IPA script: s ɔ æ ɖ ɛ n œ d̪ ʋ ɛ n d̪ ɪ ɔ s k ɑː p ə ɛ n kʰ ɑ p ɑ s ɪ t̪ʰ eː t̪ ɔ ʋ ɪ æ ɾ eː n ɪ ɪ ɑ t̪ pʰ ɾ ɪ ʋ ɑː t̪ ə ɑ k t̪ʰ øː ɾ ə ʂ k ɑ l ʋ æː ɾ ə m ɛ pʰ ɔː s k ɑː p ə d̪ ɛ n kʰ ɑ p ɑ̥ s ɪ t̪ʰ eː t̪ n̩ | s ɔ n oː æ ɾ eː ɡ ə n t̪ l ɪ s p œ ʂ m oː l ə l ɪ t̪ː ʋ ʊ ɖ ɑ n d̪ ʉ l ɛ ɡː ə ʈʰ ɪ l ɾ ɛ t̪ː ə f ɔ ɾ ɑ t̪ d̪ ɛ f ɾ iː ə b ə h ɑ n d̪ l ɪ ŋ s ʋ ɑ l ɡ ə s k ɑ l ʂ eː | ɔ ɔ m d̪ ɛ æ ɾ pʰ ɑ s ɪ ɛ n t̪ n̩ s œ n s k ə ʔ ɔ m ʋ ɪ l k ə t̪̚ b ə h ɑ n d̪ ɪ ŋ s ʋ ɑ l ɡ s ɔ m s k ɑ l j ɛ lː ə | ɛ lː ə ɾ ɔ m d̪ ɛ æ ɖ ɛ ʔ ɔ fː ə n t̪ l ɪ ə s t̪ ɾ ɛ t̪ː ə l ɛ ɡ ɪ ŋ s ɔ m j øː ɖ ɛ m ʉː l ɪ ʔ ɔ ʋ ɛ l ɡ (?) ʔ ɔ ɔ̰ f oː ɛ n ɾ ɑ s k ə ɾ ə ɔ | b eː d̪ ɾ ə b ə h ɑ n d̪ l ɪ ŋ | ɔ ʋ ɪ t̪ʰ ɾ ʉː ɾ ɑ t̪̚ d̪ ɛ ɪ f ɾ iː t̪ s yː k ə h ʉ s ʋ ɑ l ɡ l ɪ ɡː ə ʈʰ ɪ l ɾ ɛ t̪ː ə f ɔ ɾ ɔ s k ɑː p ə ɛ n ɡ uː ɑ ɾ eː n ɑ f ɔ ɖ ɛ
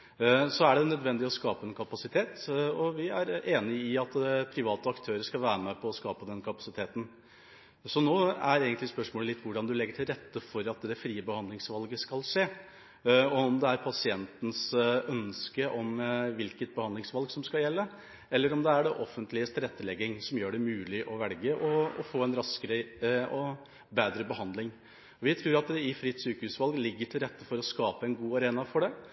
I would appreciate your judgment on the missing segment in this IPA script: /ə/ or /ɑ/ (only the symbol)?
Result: ə